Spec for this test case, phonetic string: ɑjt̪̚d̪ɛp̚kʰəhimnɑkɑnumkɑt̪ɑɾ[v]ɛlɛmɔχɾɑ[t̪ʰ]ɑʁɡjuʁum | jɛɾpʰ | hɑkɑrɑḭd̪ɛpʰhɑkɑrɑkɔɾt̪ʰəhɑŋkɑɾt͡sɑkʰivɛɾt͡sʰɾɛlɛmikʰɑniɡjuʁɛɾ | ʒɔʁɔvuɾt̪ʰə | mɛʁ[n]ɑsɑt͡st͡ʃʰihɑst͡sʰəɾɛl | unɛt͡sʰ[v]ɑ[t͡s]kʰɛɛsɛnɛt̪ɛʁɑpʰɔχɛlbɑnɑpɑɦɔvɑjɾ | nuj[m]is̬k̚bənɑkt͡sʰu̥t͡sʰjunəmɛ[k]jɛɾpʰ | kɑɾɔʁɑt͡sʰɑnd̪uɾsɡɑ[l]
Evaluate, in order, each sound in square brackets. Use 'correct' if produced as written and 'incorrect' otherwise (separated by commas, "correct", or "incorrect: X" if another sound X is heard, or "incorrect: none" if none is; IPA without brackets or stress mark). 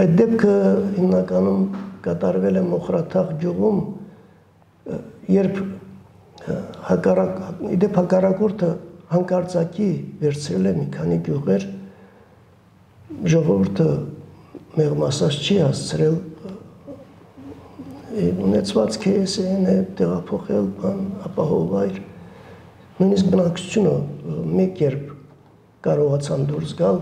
correct, correct, incorrect: m, correct, correct, incorrect: n, correct, correct